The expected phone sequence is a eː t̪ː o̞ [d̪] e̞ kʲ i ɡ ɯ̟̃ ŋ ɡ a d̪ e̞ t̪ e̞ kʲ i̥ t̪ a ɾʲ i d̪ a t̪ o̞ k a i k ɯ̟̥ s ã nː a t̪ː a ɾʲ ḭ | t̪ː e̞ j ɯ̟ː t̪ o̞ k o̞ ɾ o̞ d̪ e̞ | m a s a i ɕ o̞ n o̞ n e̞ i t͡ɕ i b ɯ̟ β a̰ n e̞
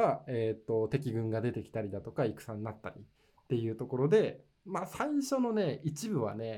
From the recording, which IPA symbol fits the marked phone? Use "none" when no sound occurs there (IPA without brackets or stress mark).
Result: t̪